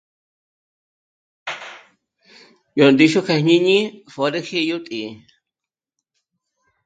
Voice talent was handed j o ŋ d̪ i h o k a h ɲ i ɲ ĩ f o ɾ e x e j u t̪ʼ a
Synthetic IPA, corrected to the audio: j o n d̪ i ʃ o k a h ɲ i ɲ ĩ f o ɾ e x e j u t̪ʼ i